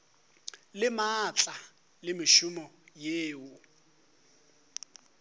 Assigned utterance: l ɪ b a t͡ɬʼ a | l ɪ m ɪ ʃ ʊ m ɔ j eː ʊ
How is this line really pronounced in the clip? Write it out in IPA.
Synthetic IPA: l ɪ m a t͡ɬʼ a | l ɪ m ɪ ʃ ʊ m ɔ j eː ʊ